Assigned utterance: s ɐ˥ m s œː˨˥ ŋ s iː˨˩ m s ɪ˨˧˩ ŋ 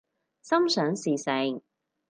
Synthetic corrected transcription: s ɐ˥ m s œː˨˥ ŋ s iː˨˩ s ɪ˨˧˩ ŋ

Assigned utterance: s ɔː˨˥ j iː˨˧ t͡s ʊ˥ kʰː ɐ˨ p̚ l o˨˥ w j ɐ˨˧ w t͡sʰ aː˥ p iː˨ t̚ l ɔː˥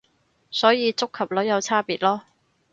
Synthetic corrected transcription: s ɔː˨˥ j iː˨˧ t͡s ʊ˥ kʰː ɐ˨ p̚ l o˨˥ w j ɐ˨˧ w t͡sʰ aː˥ p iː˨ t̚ l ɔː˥

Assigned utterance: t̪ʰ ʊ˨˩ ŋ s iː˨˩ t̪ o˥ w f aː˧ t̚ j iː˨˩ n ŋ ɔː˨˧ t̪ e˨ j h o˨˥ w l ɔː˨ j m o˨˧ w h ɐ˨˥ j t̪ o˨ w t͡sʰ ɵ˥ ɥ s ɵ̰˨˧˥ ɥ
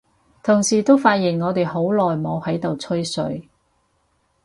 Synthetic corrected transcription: t̪ʰ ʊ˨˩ ŋ s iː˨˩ t̪ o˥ w f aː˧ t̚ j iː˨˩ n ŋ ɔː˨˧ t̪ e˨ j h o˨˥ w l ɔː˨ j m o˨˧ w h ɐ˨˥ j t̪ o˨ w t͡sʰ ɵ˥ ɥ s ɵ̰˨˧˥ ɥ

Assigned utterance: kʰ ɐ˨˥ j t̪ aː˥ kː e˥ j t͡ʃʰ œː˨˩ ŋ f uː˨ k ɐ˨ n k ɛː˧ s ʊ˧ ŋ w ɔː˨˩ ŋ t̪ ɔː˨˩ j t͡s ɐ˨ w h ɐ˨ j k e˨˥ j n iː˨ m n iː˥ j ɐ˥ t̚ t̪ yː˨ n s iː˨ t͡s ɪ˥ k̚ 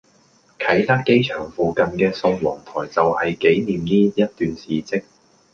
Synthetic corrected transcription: kʰ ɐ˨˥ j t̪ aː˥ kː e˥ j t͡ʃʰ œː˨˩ ŋ f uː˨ k ɐ˨ n k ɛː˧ s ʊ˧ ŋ w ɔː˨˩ ŋ t̪ʰ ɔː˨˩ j t͡s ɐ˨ w h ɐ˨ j k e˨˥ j n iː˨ m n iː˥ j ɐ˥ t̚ t̪ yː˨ n s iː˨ t͡s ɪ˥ k̚

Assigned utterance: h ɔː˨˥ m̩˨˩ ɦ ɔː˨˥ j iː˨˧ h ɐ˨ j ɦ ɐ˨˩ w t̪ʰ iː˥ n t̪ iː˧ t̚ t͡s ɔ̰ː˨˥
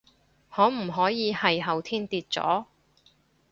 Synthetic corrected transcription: h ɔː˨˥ m̩˨˩ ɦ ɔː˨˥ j iː˨˧ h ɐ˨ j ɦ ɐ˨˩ w t̪ʰ iː˥ n t̪ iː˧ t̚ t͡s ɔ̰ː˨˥

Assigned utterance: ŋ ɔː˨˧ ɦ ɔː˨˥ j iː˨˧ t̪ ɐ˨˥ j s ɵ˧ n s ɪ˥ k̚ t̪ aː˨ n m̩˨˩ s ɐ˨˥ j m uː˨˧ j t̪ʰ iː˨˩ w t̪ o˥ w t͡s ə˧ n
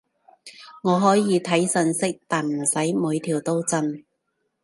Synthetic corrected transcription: ŋ ɔː˨˧ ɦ ɔː˨˥ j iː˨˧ t̪ʰ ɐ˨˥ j s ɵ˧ n s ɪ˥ k̚ t̪ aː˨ n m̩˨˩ s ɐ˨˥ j m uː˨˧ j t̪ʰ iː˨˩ w t̪ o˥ w t͡s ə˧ n

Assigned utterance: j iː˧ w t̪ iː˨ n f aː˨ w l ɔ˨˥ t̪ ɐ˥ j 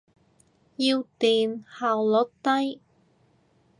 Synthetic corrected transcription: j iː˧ w t̪ iː˨ n h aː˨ w l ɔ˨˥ t̪ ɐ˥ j

